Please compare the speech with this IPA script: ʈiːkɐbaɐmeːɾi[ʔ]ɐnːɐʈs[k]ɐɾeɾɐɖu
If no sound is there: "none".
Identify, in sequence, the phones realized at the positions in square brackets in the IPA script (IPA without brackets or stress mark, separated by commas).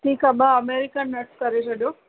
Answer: k, k